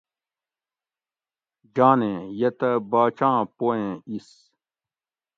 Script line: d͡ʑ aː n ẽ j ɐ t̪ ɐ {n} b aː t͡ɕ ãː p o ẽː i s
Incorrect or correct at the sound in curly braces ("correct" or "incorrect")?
incorrect